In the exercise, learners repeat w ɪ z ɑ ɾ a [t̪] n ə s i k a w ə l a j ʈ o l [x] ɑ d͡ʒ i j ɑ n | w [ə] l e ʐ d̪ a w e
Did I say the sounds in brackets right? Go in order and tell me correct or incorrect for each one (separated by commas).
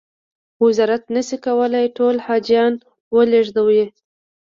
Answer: correct, incorrect, correct